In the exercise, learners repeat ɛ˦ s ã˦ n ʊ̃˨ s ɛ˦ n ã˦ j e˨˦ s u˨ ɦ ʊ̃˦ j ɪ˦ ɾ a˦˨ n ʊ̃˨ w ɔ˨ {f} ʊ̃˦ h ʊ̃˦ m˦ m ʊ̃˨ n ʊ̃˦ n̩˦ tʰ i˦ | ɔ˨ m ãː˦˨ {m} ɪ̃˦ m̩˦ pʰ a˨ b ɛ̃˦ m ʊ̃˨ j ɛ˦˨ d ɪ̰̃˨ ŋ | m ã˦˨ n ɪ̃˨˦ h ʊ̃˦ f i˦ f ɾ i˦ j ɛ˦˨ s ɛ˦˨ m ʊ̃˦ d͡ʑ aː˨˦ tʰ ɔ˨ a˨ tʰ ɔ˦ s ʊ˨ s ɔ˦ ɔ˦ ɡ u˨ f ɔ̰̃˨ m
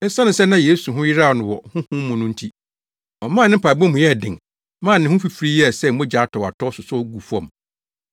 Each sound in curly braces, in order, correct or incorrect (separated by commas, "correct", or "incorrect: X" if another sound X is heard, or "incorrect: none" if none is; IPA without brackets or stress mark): incorrect: h, incorrect: n